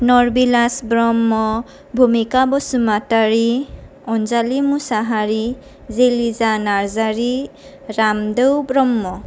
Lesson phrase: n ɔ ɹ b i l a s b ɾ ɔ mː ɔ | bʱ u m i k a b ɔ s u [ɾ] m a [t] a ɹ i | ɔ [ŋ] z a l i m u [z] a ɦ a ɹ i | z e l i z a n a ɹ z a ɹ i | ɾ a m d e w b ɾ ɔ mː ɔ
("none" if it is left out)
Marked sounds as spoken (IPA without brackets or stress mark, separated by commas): none, t, n, s